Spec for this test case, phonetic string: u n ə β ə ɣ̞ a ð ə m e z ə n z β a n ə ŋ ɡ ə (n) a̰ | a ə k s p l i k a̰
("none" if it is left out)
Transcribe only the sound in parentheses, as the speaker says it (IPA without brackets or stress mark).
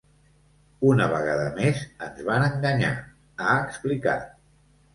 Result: ɲ